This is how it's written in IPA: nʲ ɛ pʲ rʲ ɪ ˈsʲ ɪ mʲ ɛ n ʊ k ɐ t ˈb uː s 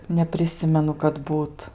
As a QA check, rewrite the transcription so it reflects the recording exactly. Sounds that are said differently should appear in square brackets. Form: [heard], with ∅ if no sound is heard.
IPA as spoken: nʲ ɛ pʲ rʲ ɪ ˈsʲ ɪ mʲ ɛ n ʊ k ɐ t ˈb uː [t]